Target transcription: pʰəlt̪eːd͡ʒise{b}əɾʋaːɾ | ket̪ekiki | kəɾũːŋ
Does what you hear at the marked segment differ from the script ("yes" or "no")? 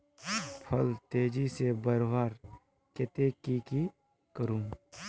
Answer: no